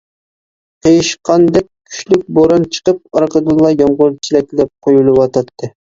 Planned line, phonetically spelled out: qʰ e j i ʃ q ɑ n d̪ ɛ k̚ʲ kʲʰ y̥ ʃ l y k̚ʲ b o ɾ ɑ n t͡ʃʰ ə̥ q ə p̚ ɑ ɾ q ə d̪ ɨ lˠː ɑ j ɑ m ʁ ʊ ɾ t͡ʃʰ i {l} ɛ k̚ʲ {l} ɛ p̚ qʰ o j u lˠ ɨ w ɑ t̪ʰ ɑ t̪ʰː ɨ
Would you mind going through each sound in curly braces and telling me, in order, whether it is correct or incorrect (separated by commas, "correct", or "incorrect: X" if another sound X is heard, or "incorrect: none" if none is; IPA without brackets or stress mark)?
correct, correct